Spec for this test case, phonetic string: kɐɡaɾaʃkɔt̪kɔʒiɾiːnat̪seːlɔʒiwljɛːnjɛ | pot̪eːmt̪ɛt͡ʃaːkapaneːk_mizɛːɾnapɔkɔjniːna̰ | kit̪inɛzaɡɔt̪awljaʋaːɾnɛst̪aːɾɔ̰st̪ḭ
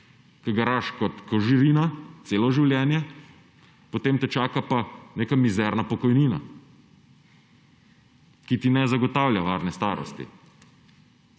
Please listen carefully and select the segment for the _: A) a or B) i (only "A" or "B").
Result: A